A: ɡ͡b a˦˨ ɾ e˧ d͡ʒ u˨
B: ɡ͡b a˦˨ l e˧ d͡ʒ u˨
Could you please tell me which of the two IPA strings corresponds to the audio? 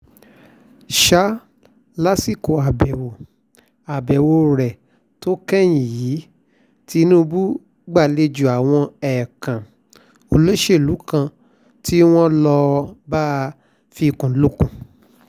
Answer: B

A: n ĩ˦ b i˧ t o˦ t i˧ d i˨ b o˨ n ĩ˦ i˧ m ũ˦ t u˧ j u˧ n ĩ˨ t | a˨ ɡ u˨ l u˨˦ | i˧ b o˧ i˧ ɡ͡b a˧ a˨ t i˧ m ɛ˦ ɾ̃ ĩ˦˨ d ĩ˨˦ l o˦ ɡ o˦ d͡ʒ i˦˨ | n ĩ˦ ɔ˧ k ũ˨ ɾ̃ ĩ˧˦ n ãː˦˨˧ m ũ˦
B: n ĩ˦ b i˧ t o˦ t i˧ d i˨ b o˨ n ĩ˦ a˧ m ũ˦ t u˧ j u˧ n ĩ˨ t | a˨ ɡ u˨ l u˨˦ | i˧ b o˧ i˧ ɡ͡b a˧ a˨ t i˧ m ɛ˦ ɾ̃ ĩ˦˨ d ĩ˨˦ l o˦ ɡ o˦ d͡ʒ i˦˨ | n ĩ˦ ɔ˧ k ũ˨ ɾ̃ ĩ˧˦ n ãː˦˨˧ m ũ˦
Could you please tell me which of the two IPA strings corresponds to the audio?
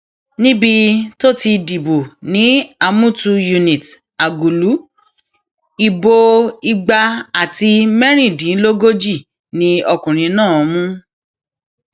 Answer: B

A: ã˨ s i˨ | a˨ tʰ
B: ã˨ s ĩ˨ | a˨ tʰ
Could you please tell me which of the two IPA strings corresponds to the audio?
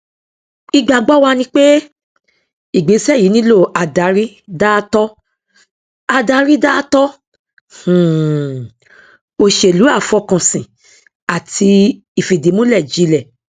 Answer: B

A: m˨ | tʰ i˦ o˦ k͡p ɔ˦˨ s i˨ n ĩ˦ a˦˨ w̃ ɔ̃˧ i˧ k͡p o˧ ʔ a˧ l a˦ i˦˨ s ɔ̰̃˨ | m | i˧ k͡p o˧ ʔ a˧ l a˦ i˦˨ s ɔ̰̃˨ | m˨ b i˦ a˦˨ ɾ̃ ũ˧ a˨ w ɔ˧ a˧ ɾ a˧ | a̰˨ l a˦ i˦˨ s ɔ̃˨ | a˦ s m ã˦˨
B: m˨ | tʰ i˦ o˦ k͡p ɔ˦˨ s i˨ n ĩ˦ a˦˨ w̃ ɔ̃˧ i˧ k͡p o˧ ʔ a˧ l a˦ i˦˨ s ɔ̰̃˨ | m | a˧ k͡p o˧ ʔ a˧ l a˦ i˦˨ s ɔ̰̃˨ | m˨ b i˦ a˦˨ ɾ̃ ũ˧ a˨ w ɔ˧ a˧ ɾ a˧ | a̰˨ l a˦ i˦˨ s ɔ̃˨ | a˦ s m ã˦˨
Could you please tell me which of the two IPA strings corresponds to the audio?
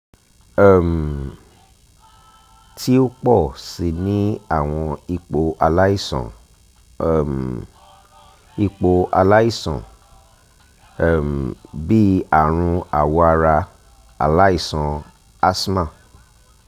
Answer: A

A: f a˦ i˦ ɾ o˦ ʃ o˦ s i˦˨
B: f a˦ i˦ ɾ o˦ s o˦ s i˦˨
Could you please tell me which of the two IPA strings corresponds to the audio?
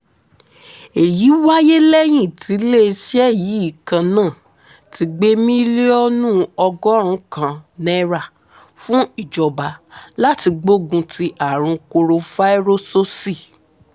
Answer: B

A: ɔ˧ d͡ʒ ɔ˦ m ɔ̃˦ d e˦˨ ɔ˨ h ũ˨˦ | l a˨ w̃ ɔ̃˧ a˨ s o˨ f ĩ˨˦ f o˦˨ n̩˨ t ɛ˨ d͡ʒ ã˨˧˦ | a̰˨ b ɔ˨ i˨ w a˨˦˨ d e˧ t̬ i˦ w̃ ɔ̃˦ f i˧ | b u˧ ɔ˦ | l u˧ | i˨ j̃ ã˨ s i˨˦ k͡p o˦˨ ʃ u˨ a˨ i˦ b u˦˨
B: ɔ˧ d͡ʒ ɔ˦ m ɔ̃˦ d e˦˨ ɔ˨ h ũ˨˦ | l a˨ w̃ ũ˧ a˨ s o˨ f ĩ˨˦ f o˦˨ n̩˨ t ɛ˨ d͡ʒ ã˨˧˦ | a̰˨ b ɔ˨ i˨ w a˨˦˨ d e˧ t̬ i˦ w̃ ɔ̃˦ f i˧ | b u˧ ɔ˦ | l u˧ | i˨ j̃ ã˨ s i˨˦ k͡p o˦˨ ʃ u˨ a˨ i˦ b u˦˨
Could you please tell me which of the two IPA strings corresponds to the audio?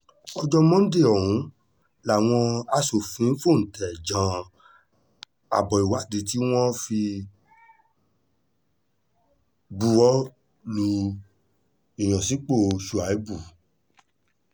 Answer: A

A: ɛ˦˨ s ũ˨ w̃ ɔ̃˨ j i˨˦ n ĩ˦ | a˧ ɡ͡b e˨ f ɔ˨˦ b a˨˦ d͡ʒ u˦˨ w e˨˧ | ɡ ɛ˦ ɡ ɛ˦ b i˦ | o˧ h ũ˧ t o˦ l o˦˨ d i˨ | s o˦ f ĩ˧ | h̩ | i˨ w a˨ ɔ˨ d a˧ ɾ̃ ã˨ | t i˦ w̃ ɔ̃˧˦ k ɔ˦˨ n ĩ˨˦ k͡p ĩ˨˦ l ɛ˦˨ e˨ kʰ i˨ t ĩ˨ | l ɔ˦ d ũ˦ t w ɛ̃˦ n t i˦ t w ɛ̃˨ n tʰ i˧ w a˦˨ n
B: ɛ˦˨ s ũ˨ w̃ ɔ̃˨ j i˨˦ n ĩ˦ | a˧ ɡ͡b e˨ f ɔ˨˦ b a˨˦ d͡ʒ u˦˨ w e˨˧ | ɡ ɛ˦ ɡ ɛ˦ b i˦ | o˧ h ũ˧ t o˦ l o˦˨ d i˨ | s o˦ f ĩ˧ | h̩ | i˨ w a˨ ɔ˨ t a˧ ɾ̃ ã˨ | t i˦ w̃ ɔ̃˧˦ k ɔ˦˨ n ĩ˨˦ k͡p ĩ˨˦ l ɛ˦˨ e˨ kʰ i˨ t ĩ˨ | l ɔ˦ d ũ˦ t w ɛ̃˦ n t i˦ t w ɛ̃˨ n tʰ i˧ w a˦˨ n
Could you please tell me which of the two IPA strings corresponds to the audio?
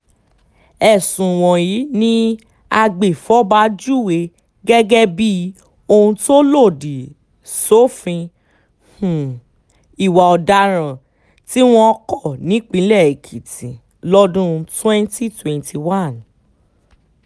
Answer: A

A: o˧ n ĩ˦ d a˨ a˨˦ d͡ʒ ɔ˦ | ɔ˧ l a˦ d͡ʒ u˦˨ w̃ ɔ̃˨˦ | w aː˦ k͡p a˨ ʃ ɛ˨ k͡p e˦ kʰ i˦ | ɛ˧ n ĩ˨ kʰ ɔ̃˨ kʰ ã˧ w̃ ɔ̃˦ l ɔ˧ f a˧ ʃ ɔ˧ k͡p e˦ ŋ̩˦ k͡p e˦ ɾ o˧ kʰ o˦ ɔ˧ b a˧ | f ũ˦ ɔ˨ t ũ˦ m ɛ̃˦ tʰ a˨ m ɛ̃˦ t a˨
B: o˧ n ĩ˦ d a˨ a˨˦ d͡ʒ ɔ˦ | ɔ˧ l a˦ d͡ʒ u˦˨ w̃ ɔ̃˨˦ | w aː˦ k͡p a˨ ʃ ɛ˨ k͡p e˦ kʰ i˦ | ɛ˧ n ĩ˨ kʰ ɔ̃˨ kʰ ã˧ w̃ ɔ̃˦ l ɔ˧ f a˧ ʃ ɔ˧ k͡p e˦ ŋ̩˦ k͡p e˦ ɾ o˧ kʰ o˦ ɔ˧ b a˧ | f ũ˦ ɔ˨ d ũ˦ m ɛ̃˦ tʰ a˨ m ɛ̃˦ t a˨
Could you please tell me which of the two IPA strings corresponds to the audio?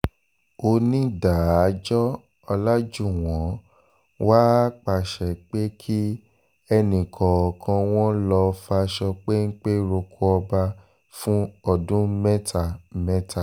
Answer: B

